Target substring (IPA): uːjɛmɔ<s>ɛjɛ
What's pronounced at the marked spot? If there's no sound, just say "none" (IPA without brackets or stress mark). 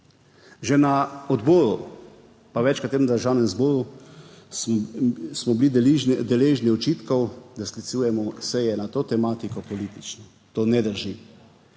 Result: s